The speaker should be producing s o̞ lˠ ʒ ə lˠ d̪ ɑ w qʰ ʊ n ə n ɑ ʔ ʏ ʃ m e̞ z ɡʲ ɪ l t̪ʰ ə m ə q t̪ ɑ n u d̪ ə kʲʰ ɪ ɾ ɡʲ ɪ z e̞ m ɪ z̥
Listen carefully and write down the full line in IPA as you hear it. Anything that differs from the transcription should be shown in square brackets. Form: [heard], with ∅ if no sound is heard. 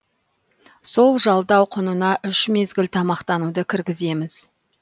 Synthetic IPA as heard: s o̞ lˠ ʒ [ɑ] lˠ d̪ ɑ w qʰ ʊ n ə n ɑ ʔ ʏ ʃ m e̞ z ɡʲ ɪ l t̪ʰ [ɑ] m [ɑ] q t̪ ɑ n u d̪ ə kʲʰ ɪ ɾ ɡʲ ɪ z e̞ m ɪ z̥